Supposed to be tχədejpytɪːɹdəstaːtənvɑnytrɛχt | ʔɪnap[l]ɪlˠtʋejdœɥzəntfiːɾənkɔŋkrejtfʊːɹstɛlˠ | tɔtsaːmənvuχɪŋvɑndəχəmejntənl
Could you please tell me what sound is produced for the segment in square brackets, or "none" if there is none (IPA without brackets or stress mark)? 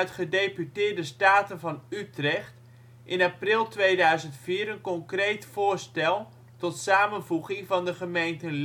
r